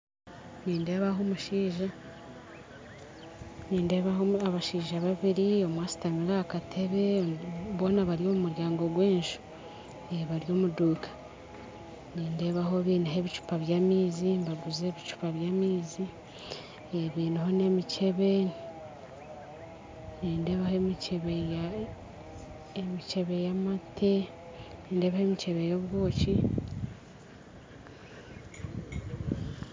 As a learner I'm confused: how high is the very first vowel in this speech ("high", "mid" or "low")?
high